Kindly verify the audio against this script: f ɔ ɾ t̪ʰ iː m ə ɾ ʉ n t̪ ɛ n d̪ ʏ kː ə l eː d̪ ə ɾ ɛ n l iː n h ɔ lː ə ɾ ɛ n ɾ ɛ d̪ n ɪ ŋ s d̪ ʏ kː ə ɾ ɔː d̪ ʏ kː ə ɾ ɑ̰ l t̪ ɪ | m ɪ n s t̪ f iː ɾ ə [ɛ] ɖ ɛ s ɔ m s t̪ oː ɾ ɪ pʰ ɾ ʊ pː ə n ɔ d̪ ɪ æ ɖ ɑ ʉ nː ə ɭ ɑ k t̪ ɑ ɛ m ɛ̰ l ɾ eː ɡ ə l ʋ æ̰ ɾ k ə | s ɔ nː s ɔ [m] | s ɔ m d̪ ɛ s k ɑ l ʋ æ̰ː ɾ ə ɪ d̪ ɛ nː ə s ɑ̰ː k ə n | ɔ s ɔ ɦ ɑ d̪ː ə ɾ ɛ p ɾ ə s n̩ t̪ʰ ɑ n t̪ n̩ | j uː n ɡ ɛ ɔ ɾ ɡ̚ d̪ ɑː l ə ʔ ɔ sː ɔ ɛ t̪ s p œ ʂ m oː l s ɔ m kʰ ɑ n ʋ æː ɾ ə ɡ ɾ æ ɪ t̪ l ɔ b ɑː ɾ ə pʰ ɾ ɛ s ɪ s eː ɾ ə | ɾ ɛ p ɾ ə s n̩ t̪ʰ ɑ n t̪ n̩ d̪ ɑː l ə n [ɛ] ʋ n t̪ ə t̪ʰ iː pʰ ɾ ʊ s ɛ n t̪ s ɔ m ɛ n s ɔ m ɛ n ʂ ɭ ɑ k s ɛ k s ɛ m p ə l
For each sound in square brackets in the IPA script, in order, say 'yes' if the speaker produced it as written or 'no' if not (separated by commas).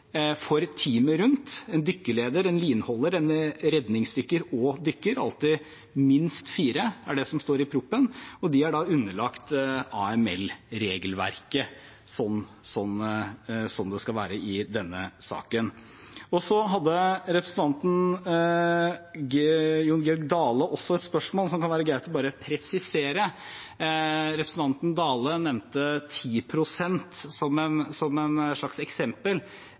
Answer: no, no, yes